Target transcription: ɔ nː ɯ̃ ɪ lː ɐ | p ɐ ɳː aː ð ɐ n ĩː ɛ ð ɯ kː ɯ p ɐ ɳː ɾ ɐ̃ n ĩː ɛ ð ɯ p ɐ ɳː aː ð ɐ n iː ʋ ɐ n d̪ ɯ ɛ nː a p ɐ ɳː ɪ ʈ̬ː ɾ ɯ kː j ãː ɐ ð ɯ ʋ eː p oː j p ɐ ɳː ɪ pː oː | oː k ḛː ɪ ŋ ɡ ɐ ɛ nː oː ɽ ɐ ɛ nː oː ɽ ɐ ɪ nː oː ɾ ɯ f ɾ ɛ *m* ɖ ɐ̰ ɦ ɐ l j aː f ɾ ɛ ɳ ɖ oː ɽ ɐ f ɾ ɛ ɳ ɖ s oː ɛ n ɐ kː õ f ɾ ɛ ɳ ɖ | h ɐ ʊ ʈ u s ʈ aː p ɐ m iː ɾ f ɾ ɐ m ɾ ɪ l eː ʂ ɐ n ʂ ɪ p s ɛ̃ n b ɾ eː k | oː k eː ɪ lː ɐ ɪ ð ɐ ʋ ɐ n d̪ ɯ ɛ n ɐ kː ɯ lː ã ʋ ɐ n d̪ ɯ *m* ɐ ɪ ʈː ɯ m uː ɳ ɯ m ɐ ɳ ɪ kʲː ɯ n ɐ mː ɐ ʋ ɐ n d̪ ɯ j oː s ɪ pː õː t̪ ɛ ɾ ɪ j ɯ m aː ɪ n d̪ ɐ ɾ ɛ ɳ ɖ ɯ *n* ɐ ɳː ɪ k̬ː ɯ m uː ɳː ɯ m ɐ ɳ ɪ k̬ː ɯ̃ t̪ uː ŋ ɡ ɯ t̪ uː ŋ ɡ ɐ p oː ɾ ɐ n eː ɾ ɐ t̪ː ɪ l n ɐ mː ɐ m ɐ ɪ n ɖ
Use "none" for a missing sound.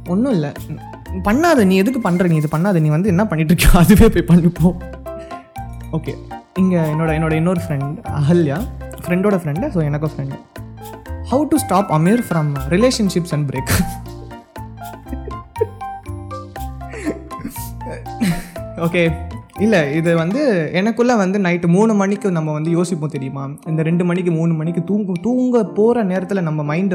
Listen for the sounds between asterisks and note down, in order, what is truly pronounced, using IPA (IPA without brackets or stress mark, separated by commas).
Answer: ɳ, n, m